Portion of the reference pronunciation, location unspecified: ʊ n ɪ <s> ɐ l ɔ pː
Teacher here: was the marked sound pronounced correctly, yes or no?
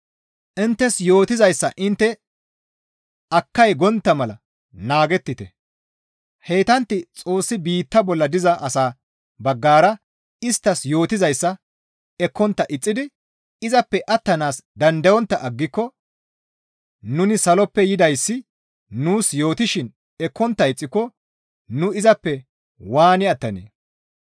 yes